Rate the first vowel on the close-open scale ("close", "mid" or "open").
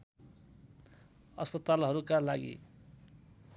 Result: mid